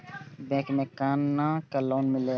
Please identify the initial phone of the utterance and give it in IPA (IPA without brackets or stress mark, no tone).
b